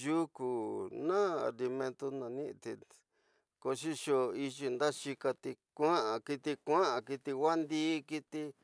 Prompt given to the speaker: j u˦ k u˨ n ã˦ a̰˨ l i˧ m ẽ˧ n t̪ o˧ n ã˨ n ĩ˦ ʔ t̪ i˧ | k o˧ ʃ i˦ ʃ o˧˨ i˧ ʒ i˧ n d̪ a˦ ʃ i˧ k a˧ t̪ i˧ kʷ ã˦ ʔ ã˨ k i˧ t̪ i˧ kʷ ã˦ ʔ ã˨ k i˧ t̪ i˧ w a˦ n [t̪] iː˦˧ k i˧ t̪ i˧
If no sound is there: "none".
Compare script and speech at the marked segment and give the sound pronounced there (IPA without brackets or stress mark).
d̪